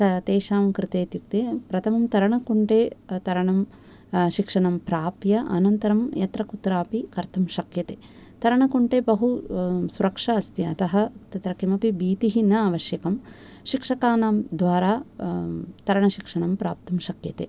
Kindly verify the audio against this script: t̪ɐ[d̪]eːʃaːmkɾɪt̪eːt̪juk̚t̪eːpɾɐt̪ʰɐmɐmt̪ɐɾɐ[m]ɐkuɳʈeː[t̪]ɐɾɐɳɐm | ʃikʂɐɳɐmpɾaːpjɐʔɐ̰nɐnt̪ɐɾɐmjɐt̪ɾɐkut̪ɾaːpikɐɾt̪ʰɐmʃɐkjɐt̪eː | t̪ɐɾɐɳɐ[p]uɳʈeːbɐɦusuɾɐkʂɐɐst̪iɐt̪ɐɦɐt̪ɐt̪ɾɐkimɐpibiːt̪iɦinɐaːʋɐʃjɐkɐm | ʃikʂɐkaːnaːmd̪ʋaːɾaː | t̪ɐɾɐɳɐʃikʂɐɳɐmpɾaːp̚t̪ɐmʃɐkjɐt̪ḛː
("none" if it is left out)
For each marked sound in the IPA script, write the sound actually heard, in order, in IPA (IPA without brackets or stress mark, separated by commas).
t̪, ɳ, t̪, k